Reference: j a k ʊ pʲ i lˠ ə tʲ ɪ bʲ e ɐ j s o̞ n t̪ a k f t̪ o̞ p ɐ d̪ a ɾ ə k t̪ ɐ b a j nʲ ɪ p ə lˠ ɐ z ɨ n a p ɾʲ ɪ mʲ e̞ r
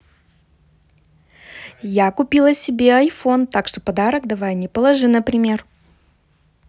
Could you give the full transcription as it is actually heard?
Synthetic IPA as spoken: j a k ʊ pʲ i lˠ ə sʲ ɪ bʲ e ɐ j f o̞ n t̪ a k ʂ t̪ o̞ p ɐ d̪ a ɾ ə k d̪ ɐ v a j nʲ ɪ p ə lˠ ɐ ʐ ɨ n ə p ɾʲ ɪ mʲ e̞ r